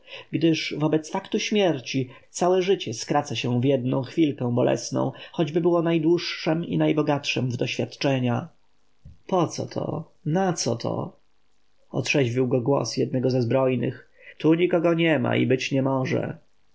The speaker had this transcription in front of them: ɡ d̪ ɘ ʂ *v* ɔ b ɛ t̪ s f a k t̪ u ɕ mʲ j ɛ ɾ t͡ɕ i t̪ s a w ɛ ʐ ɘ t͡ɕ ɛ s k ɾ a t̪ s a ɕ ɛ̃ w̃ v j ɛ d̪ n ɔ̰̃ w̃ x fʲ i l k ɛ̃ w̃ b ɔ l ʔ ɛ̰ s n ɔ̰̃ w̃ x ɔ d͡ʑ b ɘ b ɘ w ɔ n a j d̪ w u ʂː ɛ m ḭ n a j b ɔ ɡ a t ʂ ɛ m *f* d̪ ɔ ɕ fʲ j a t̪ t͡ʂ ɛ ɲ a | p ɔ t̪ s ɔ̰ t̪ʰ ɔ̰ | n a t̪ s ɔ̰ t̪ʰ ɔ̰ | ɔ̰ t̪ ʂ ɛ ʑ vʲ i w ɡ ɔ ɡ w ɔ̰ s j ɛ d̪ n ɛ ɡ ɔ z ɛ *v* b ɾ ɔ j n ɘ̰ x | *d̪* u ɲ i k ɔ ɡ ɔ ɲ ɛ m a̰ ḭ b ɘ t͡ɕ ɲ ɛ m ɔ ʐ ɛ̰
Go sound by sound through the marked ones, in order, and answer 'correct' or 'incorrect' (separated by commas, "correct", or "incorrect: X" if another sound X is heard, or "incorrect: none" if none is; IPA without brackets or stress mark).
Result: correct, incorrect: v, incorrect: z, incorrect: t̪